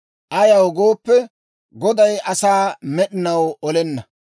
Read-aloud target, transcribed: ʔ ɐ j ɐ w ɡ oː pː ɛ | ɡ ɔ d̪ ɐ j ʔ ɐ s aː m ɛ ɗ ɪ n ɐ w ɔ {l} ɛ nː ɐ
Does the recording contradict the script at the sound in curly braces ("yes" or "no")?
no